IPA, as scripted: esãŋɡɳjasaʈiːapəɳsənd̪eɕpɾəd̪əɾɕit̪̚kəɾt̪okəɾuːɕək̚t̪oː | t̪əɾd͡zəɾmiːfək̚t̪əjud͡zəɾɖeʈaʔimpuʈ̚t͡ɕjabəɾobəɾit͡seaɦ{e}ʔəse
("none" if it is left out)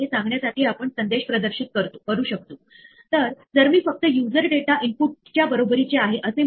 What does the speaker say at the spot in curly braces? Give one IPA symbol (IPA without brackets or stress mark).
e